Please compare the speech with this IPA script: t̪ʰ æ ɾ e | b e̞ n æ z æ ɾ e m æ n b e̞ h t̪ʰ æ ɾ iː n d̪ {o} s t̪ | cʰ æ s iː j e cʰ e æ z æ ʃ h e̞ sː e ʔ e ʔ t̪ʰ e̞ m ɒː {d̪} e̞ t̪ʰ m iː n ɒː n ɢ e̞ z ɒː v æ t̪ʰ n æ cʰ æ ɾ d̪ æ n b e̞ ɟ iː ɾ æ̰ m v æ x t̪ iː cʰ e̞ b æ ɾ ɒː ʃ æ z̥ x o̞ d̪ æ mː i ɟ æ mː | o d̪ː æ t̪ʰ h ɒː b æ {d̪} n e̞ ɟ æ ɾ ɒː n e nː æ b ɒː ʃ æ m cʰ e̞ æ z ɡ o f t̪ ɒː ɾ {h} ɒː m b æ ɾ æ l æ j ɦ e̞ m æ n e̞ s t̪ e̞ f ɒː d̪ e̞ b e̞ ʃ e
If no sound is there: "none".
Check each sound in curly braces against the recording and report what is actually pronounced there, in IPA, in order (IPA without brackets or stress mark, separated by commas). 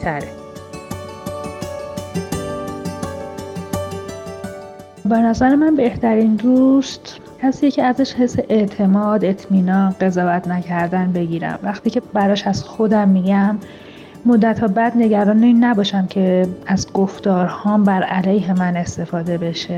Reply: u, d̪, d̪, h